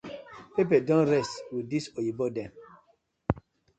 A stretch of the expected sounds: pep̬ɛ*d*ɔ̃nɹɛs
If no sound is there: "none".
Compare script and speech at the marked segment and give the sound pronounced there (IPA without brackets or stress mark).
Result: d